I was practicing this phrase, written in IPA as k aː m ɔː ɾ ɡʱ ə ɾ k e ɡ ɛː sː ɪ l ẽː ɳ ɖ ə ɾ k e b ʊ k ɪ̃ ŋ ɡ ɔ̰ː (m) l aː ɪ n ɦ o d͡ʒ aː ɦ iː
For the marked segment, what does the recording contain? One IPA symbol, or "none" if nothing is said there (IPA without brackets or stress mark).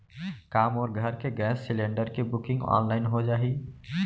n